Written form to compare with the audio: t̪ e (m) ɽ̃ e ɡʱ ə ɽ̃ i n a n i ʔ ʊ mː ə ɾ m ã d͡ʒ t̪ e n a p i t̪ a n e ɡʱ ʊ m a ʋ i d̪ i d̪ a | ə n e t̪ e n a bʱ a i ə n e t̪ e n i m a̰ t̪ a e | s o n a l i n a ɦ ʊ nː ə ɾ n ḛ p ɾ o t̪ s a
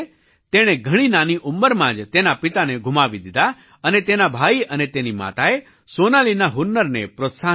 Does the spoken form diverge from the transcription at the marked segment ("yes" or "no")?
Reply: yes